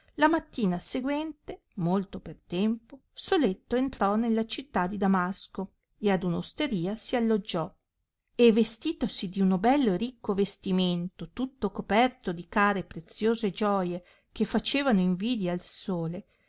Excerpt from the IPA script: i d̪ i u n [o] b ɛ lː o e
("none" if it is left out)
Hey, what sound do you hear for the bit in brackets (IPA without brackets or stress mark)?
o